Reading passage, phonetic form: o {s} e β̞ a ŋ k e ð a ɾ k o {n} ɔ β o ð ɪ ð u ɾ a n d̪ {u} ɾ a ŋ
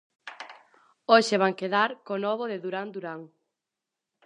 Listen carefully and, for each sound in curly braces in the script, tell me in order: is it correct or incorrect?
incorrect: ʃ, correct, correct

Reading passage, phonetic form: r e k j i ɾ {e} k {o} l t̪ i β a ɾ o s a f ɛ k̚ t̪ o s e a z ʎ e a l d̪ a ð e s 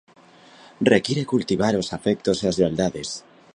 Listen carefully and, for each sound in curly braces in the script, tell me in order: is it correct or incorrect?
correct, incorrect: u

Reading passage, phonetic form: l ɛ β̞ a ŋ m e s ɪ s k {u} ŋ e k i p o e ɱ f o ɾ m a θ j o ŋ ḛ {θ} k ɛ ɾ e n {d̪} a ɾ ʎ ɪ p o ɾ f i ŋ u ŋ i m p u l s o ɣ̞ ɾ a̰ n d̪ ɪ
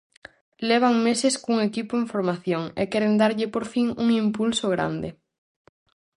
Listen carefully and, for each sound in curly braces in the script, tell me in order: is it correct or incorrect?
correct, incorrect: none, correct

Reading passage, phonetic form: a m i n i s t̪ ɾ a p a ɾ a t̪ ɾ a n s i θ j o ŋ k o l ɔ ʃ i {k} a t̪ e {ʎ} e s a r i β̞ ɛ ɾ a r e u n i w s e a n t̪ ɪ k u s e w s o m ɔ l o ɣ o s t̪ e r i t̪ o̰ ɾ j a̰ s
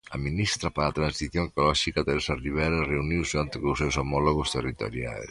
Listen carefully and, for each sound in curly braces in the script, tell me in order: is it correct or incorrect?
correct, incorrect: ɾ

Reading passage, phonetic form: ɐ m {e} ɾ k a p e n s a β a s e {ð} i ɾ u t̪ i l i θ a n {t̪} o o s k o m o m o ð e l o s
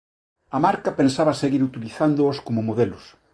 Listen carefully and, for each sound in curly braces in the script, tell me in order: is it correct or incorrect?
incorrect: a, incorrect: ɣ, incorrect: d̪

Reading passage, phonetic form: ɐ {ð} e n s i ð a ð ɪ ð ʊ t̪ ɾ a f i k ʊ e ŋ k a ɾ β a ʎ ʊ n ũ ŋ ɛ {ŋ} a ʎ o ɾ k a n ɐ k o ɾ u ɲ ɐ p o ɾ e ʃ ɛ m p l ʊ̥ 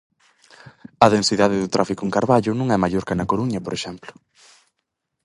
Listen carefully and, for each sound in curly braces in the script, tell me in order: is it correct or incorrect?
correct, incorrect: m

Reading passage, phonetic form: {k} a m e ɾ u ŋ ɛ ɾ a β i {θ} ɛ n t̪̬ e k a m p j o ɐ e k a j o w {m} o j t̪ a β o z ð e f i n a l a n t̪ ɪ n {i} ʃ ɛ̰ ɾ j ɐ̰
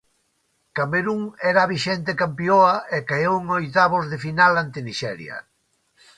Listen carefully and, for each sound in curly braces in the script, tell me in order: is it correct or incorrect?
correct, incorrect: ʃ, incorrect: ŋ, correct

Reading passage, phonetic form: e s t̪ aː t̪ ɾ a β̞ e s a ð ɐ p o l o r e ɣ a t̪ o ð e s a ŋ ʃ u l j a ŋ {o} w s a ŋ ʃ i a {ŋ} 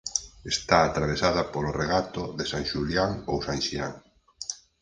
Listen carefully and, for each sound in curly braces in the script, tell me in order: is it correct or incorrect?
correct, correct

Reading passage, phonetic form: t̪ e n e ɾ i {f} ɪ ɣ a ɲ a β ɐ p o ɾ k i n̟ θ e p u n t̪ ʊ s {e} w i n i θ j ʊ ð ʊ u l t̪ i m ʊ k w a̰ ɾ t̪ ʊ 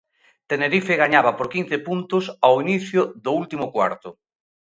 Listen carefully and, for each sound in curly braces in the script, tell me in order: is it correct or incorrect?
correct, incorrect: a

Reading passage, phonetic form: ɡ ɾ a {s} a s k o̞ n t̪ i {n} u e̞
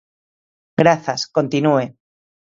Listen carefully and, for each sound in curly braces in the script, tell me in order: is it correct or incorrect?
incorrect: θ, correct

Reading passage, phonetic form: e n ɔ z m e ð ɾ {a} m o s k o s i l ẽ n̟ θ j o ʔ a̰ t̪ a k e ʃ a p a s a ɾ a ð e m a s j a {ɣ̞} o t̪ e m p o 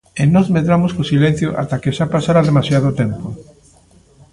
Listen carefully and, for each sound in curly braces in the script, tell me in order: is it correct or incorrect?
correct, incorrect: ð̞

